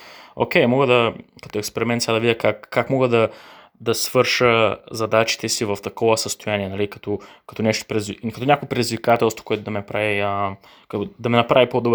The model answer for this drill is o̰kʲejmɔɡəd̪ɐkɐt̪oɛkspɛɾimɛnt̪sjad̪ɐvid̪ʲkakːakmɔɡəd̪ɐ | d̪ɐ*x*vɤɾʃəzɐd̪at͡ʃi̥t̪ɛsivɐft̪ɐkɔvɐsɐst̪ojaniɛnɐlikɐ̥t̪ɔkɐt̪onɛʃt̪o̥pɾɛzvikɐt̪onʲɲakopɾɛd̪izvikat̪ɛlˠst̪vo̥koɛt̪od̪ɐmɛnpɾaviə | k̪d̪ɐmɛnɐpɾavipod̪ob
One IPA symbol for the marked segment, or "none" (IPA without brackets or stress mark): s